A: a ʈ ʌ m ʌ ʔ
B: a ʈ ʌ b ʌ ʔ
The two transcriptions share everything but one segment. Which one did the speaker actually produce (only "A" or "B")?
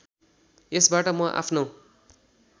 A